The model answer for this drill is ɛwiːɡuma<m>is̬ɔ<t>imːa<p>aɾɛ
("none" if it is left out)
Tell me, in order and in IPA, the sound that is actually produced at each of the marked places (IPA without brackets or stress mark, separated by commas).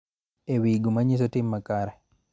ɲ, t, k